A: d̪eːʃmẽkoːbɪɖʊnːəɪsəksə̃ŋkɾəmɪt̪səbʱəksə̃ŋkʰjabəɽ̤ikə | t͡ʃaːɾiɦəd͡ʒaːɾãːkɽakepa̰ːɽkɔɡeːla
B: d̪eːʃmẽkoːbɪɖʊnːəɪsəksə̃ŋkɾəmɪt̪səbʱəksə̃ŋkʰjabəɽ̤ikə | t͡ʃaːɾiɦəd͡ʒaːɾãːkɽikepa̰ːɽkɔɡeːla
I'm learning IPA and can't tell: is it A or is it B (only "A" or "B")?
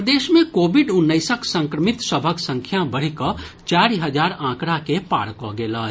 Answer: A